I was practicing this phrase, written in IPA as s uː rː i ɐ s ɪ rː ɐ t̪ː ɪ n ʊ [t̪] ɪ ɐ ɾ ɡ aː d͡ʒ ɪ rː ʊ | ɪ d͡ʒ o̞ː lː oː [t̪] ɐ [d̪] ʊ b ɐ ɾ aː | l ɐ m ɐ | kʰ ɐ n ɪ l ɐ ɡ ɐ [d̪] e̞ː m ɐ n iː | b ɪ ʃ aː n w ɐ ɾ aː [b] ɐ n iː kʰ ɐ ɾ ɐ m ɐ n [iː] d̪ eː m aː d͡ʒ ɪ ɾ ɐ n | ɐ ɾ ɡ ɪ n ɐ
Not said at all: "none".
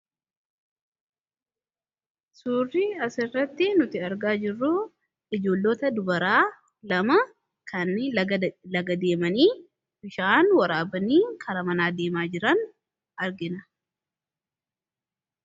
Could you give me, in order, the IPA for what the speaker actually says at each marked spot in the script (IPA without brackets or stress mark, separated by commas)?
t̪, t̪, d̪, d̪, b, aː